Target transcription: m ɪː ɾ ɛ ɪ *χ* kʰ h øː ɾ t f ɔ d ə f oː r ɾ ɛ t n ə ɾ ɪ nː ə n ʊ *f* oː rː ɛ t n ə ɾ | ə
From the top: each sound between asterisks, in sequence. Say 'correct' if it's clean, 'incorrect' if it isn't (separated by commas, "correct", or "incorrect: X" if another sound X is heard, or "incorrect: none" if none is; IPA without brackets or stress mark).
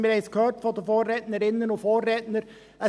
incorrect: s, correct